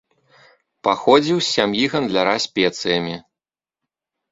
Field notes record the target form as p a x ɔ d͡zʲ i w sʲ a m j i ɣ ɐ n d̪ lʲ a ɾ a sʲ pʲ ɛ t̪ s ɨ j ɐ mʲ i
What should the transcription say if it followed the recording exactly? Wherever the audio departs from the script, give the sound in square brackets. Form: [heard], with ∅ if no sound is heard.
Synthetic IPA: p a x ɔ d͡zʲ i w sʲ a m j i ɣ ɐ n d̪ lʲ a ɾ a sʲ pʲ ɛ t̪ s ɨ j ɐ mʲ i